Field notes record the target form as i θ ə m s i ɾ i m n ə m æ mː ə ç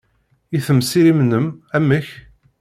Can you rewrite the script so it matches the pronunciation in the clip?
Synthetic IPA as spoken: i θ ə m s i ɾ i m n ə m æ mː ə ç